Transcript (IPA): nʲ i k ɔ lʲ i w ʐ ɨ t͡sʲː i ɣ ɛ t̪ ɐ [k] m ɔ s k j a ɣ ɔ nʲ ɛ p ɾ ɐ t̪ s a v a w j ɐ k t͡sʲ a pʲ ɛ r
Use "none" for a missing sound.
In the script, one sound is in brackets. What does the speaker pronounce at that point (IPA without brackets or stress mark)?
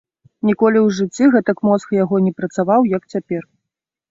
k